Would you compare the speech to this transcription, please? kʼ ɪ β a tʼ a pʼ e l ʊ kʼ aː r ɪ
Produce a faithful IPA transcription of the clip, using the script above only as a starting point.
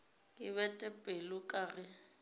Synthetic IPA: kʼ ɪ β ɛ tʼ ɛ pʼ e l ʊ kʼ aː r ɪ